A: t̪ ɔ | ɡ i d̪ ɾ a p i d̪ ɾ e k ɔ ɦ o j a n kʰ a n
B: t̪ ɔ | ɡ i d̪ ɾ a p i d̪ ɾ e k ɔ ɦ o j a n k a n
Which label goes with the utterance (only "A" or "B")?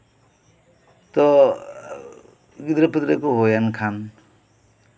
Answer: A